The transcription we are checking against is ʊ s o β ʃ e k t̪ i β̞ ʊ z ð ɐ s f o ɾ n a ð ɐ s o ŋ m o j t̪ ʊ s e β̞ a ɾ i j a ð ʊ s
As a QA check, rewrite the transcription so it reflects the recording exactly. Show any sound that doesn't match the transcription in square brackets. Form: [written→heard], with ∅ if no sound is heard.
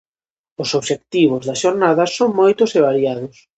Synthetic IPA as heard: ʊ s o β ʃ e k t̪ i β̞ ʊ z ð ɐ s [f→ʃ] o ɾ n a ð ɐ s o ŋ m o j t̪ ʊ s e β̞ a ɾ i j a ð ʊ s